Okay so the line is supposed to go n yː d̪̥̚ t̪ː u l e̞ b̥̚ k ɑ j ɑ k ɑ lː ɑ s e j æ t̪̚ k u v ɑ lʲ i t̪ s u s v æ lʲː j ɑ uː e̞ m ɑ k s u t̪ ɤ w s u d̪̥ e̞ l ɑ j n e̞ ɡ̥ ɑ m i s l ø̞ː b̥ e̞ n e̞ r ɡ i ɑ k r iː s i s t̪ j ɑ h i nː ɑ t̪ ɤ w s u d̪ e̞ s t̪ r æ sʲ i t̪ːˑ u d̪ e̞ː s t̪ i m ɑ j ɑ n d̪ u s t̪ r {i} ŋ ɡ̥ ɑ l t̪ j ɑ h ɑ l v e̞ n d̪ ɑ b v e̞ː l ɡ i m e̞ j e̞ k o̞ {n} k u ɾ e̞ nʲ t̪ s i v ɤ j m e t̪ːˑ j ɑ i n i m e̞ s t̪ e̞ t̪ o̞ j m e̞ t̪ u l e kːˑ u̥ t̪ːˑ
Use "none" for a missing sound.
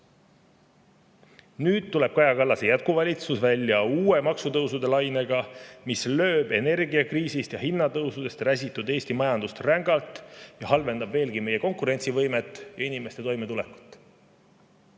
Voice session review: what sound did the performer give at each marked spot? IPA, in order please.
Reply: æ, ŋ

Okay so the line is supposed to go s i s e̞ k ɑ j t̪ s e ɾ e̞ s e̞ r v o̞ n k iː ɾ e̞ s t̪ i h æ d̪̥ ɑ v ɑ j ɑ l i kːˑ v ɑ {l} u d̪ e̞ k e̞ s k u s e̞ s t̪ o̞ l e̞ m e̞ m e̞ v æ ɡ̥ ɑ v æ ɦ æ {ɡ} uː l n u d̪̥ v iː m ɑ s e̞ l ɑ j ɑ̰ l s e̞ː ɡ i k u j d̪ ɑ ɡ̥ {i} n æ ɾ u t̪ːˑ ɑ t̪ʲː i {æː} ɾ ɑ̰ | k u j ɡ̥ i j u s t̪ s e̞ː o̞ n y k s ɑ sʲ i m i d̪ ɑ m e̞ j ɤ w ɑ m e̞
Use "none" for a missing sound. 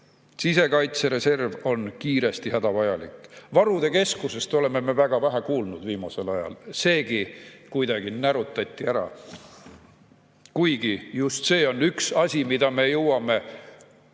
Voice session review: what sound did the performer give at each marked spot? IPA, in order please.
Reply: ɾ, k, i, æ

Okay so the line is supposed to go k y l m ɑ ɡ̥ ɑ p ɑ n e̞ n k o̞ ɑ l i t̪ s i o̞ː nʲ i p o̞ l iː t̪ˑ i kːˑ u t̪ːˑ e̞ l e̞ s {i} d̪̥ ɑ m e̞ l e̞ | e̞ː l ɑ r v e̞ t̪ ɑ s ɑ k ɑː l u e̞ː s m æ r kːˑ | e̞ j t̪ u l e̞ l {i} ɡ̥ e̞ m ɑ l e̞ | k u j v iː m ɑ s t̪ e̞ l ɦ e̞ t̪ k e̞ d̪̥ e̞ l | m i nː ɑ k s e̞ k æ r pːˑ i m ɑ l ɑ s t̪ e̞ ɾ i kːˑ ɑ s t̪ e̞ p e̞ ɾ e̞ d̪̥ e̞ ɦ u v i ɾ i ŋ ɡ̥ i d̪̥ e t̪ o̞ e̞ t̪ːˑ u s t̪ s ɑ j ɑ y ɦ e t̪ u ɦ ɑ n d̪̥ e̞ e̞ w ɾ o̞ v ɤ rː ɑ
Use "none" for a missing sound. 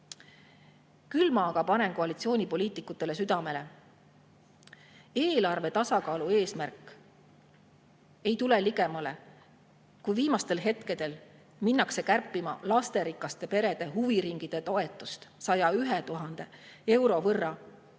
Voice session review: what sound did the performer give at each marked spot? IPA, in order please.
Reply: y, i

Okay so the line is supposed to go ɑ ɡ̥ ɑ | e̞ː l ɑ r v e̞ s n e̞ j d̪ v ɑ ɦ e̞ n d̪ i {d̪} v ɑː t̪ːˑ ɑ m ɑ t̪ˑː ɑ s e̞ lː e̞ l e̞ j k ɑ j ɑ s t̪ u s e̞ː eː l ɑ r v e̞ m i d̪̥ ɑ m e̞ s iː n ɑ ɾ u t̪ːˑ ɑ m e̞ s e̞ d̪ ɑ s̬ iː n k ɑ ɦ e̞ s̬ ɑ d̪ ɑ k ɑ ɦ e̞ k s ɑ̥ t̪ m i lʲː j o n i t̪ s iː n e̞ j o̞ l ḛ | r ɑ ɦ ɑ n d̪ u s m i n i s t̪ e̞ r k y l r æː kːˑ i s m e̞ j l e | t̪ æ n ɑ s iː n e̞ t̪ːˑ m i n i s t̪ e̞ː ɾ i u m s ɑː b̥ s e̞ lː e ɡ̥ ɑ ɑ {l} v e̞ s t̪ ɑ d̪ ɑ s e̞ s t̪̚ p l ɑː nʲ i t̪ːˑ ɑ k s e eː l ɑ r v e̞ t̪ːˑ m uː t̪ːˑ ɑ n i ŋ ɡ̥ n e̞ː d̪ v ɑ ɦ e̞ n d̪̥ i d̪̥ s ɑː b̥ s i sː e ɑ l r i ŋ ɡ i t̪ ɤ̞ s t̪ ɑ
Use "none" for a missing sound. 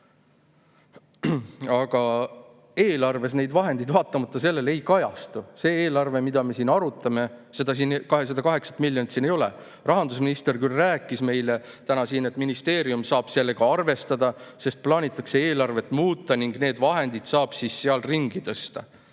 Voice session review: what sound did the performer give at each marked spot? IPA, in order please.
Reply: d̪, r

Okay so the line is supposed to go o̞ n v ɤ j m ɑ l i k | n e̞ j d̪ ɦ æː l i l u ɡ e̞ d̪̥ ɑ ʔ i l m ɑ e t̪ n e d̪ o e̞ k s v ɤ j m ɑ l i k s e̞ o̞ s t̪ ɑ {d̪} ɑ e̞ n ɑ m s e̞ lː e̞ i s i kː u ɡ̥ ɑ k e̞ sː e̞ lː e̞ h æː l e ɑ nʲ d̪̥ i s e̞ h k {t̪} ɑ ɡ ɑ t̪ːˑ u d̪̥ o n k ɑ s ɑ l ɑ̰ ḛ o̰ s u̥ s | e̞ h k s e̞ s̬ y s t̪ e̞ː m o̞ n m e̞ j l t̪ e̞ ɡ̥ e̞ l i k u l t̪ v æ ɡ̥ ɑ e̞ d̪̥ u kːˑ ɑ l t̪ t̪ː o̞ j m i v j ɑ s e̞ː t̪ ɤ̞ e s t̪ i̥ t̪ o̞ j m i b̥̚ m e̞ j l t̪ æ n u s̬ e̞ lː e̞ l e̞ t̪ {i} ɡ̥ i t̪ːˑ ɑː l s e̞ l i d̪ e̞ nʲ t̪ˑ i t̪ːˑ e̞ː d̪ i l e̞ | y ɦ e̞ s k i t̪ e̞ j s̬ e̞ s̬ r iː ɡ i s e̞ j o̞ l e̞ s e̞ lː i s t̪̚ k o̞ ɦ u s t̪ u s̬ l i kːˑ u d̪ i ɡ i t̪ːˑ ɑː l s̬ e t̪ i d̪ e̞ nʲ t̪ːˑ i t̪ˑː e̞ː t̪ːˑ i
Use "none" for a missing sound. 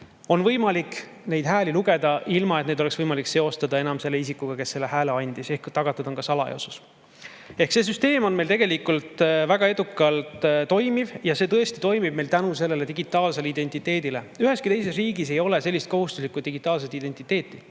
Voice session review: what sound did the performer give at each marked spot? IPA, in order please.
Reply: d̪, t̪, i

